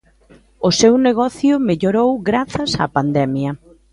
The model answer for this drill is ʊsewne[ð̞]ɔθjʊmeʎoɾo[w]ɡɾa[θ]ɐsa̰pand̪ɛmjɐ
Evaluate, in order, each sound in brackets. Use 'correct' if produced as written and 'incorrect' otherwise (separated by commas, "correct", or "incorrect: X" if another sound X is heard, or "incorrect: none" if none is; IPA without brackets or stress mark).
incorrect: ɣ̞, correct, correct